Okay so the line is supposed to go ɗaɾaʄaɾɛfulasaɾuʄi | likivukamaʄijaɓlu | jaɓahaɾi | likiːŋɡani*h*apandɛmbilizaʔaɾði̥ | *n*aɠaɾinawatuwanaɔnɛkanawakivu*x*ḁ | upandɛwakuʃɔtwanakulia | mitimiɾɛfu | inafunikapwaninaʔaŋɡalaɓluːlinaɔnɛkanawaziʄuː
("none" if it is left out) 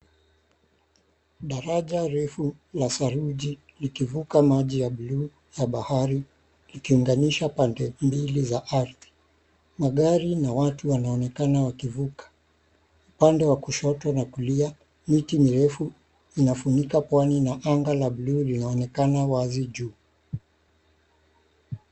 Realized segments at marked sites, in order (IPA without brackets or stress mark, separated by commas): ʃ, m, k